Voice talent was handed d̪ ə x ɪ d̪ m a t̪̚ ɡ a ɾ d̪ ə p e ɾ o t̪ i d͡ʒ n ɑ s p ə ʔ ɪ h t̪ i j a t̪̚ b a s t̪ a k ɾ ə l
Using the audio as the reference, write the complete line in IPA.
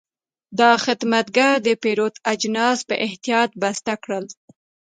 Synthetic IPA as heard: d̪ ɑ x ɪ d̪ m a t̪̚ ɡ a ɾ d̪ ə p e ɾ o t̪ a d͡ʒ n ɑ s p ə ʔ ɪ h t̪ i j ɑ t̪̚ b a s t̪ a k ɽ ə l